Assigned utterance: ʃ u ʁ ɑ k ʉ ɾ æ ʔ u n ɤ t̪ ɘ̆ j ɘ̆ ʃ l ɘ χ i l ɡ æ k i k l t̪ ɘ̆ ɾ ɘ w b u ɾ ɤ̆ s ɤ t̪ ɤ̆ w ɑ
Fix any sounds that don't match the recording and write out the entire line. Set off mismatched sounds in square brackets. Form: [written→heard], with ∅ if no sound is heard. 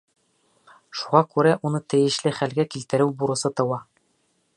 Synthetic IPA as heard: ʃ u ʁ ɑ k ʉ ɾ æ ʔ u n ɤ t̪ ɘ̆ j ɘ̆ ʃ l ɘ χ [i→æ] l ɡ æ k i [k→∅] l t̪ ɘ̆ ɾ ɘ w b u ɾ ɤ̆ s ɤ t̪ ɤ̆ w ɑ